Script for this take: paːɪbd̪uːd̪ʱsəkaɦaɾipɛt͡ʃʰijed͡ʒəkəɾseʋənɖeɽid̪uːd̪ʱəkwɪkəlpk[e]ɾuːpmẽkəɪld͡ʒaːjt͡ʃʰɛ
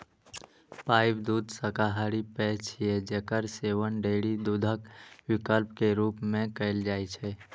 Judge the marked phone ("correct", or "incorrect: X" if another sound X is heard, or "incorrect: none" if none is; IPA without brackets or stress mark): correct